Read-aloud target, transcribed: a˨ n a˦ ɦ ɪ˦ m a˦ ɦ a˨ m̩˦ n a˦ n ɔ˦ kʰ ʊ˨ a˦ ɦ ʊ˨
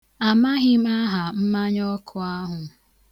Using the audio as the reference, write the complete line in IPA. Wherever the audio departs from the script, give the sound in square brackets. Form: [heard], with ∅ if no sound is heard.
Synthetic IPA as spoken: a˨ [m] a˦ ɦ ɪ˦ m a˦ ɦ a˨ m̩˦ [m] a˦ [ɲ] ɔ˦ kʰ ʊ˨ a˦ ɦ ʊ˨